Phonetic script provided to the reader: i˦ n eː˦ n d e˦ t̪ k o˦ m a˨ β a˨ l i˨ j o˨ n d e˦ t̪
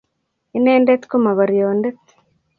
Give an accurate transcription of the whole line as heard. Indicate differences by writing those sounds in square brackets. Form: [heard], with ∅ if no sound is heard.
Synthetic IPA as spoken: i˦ n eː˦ n d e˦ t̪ k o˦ m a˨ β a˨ [ɾ] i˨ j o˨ n d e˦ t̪